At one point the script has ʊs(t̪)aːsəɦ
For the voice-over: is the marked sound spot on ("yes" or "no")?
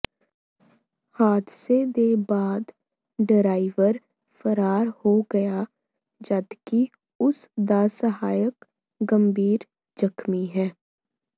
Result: no